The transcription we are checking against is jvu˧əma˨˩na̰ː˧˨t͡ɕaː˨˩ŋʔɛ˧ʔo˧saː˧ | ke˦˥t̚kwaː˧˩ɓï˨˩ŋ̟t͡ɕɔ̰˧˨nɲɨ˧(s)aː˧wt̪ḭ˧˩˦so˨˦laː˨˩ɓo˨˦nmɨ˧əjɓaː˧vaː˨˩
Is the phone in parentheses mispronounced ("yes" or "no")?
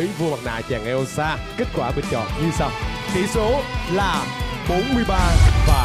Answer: no